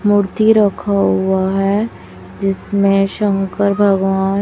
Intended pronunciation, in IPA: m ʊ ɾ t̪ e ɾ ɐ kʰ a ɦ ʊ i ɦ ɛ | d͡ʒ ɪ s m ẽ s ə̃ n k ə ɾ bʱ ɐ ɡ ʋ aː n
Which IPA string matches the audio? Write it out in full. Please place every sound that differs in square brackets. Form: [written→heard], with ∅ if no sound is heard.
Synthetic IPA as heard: m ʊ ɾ t̪ [e→i] ɾ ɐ kʰ a ɦ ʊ [i→a] ɦ ɛ | d͡ʒ ɪ s m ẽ [s→ʃ] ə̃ [n→ŋ] k ə ɾ bʱ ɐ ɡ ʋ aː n